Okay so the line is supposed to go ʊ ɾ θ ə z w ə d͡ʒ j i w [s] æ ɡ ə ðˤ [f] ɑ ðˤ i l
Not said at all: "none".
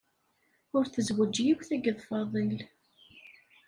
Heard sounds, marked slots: θ, f

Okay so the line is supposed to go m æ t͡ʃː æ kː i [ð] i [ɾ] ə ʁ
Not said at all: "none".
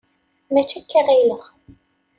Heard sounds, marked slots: ʁ, l

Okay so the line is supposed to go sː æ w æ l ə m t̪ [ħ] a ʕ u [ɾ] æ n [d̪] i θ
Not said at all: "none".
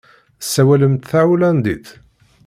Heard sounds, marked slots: θ, l, d̪

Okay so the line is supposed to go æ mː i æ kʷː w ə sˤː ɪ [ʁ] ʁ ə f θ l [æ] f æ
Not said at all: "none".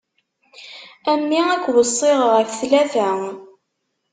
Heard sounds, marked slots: ʁ, æ

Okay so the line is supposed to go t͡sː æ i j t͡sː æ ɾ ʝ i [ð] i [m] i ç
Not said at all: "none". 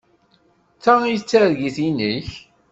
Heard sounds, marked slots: θ, n

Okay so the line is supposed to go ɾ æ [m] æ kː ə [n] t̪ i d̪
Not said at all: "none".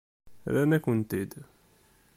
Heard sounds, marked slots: n, n

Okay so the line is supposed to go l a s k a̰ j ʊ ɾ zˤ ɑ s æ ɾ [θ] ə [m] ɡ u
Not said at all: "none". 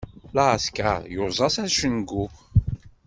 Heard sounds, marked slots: ʃ, n

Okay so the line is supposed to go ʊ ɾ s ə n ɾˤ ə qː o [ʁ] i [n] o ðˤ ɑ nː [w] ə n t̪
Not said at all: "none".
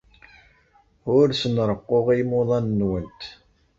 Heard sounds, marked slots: ʁ, m, w

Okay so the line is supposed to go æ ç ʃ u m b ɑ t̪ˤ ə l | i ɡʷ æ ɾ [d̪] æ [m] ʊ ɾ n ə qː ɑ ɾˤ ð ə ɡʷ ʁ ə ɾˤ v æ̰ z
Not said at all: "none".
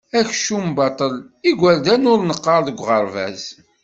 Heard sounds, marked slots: d̪, n

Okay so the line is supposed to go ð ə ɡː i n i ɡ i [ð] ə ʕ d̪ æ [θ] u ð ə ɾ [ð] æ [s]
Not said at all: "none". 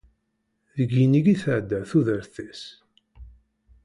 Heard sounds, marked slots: θ, θ, θ, s

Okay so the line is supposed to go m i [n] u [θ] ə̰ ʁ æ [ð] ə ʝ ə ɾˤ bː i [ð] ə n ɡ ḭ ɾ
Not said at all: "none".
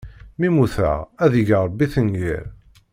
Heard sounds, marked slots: m, θ, ð, θ

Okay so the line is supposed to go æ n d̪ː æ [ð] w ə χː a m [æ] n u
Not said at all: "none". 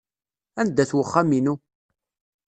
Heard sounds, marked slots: θ, i

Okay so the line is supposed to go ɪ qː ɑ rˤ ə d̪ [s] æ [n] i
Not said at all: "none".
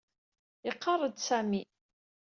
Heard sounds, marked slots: s, m

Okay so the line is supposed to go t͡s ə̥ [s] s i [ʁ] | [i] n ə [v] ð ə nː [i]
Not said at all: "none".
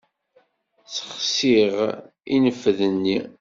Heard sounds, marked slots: χ, ʁ, i, f, i

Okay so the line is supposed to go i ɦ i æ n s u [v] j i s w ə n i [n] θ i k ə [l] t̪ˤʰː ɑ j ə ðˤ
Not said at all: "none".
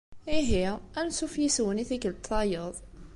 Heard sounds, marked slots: f, none, l

